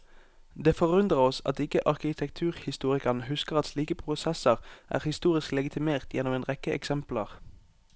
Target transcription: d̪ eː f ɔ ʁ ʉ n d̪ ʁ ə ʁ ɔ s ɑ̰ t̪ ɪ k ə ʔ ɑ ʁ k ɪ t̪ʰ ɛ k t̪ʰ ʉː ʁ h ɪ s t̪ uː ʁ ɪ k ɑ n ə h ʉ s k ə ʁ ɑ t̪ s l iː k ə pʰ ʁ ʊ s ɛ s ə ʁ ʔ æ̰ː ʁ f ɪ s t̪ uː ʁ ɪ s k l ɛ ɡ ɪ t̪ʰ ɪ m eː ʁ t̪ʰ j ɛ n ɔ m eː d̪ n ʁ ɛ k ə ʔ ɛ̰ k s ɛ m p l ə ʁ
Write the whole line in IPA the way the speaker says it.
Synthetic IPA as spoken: d̪ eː f ɔ ʁ ʉ n d̪ ʁ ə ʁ ɔ s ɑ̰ t̪ ɪ k ə ʔ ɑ ʁ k ɪ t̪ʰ ɛ k t̪ʰ ʉː ʁ h ɪ s t̪ uː ʁ ɪ k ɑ n ə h ʉ s k ə ʁ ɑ t̪ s l iː k ə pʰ ʁ ʊ s ɛ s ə ʁ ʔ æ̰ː ʁ h ɪ s t̪ uː ʁ ɪ s k l ɛ ɡ ɪ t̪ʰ ɪ m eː ʁ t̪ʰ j ɛ n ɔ m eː n ʁ ɛ k ə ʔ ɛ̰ k s ɛ m p l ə ʁ

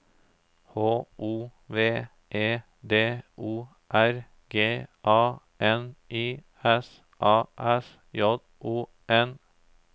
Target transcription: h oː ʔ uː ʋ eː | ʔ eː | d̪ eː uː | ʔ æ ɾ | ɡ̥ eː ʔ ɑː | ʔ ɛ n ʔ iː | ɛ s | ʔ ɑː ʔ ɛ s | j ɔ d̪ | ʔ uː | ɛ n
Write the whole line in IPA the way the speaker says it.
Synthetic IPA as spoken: h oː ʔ uː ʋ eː | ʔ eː | d̪ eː uː | ʔ æ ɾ | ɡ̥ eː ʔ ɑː | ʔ ɛ n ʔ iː | ɛ s | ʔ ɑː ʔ ɛ s | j ɔ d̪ | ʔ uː | ɛ n

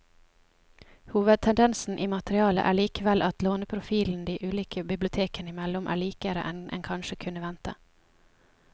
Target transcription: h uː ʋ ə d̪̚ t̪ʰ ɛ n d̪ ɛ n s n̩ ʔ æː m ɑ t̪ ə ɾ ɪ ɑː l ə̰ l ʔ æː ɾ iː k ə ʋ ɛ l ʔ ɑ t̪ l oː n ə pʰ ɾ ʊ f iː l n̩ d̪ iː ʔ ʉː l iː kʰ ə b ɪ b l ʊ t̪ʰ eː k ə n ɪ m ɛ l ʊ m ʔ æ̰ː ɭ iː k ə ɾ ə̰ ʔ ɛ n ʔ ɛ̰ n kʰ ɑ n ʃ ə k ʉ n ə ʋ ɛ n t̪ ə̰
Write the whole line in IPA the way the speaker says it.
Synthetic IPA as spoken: h uː ʋ ə d̪̚ t̪ʰ ɛ n d̪ ɛ n s n̩ ʔ iː m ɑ t̪ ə ɾ ɪ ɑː l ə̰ ʔ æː ɭ iː k ə ʋ ɛ l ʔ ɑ t̪ l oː n ə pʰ ɾ ʊ f iː l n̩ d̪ iː ʔ ʉː l iː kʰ ə b ɪ b l ʊ t̪ʰ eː k ə n ɪ m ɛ l ʊ m ʔ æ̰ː ɭ iː k ə ɾ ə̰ ʔ ɛ n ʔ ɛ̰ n kʰ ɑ n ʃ ə kʰ ʉ n ə ʋ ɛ n t̪ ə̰

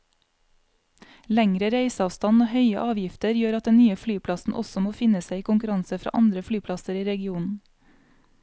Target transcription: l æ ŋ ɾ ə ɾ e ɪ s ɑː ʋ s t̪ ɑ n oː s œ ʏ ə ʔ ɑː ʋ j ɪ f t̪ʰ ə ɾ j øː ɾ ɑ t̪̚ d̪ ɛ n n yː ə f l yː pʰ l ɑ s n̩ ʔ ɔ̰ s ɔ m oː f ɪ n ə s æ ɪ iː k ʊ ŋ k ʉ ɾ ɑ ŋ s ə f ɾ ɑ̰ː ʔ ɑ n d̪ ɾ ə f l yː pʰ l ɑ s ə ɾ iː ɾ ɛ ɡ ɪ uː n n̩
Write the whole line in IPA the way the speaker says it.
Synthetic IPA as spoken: l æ ŋ ɾ ə ɾ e ɪ s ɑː ʋ s t̪ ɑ n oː h œ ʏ ə ʔ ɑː ʋ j ɪ f t̪ ə ɾ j øː ɾ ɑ t̪̚ d̪ ɛ n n yː ə f l yː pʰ l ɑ s n̩ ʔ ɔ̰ s ɔ m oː f ɪ n ə s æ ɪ iː k ʊ ŋ k ʉ ɾ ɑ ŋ s ə f ɾ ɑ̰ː ʔ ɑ n d̪ ɾ ə f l yː pʰ l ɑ s ə ɾ iː ɾ ɛ ɡ ɪ uː n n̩

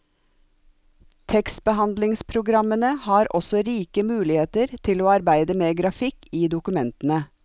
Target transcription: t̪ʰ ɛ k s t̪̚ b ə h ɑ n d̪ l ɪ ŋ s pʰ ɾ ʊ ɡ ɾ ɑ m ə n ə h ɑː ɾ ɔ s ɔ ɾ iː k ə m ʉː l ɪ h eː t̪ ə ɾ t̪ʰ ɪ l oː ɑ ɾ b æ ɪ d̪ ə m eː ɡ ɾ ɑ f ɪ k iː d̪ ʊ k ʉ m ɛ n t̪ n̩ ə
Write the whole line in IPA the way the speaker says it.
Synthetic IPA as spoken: t̪ʰ ɛ k s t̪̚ b ə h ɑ n d̪ l ɪ ŋ s pʰ ɾ ʊ ɡ ɾ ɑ m ə n ə h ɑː ɾ ɔ s ɔ ɾ iː k ə m ʉː l ɪ h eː t̪ ə ɾ t̪ʰ ɪ l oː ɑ ɾ b æ ɪ d̪ ə m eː ɡ ɾ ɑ f ɪ k iː d̪ ʊ k ʉ m ɛ n t̪ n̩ ə

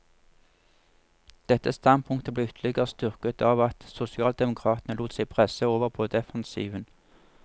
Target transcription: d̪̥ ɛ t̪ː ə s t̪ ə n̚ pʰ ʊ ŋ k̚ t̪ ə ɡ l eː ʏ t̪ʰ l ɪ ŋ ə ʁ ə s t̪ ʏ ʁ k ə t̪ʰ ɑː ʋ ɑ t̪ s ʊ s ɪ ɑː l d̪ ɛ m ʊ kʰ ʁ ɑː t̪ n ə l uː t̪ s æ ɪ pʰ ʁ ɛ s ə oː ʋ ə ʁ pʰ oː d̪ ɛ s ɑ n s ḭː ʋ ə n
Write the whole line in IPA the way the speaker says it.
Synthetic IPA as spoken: d̪̥ ɛ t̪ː ə s t̪ ɑ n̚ pʰ ʊ ŋ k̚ t̪ ə b l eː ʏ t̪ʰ l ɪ ɡ ə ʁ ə s t̪ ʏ ʁ k ə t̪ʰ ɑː ʋ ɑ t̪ s ʊ s ɪ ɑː l d̪ ɛ m ʊ kʰ ʁ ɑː t̪ n ə l uː t̪ s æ ɪ pʰ ʁ ɛ s ə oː ʋ ə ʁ pʰ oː d̪ ɛ f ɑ n s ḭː ʋ ə n

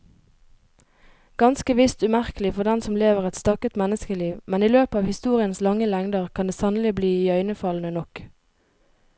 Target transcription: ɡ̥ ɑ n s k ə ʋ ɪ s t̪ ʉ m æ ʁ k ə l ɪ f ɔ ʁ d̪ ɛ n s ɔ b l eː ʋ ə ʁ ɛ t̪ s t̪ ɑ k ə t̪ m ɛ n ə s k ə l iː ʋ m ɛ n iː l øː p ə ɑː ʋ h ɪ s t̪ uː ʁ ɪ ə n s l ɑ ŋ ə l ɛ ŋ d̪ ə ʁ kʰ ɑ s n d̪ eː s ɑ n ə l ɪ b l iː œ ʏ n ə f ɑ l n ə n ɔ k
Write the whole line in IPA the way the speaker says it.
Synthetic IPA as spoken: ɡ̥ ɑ n s k ə ʋ ɪ s t̪ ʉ m æ ʁ k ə l ɪ f ɔ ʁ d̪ ɛ n s ɔ m l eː ʋ ə ʁ ɛ t̪ s t̪ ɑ k ə t̪ m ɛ n ə s k ə l iː ʋ m ɛ n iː l øː p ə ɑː ʋ h ɪ s t̪ uː ʁ ɪ ə n s l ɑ ŋ ə l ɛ ŋ d̪ ə ʁ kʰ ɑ n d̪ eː s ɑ n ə l ɪ b l iː œ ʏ n ə f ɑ l n ə n ɔ k

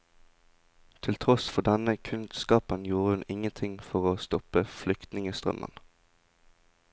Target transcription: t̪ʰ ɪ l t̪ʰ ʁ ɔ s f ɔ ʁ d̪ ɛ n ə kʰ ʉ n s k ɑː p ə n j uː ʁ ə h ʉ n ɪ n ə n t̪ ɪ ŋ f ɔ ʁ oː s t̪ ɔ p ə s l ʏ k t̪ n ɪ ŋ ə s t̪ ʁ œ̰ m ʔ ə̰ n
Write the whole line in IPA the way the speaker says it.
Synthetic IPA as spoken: t̪ʰ ɪ l t̪ʰ ʁ ɔ s f ɔ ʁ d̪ ɛ n ə kʰ ʉ n s k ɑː p ə n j uː ʁ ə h ʉ n ɪ ŋ ə n t̪ʰ ɪ ŋ f ɔ ʁ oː s t̪ ɔ p ə f l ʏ k t̪ n ɪ ŋ ə s t̪ ʁ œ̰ m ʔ ə̰ n

